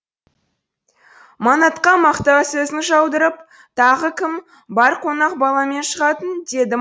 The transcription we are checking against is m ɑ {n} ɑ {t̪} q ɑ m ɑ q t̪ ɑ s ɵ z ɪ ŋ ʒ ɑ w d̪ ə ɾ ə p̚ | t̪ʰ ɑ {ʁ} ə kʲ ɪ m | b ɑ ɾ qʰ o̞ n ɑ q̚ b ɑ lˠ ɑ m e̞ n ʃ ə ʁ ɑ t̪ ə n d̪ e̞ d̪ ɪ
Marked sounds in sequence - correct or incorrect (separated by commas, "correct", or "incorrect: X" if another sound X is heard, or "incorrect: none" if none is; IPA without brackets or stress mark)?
correct, correct, correct